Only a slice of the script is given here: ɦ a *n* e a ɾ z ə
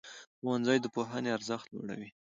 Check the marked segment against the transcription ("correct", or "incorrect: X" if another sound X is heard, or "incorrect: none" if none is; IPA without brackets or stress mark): correct